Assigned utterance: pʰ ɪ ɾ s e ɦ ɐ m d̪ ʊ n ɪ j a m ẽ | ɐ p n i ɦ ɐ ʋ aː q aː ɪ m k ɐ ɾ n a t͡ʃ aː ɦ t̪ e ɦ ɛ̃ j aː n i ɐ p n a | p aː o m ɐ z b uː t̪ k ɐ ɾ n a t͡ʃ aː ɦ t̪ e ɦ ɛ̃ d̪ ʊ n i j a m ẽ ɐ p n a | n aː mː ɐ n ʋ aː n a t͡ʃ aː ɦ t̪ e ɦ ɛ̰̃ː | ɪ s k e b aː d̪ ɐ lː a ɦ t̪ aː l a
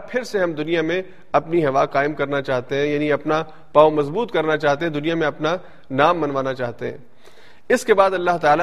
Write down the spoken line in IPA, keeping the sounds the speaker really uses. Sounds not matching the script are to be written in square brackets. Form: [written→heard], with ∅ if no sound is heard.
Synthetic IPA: pʰ ɪ ɾ s e ɦ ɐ m d̪ ʊ n [ɪ→i] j a m ẽ | ɐ p n i ɦ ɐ ʋ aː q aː ɪ m k ɐ ɾ n a t͡ʃ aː ɦ t̪ e ɦ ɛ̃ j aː n i ɐ p n a | p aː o m ɐ z b uː t̪ k ɐ ɾ n a t͡ʃ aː ɦ t̪ e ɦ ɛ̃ d̪ ʊ n i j a m ẽ ɐ p n a | n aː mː ɐ n ʋ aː n a t͡ʃ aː ɦ t̪ e ɦ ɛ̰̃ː | ɪ s k e b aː d̪ ɐ lː a ɦ t̪ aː l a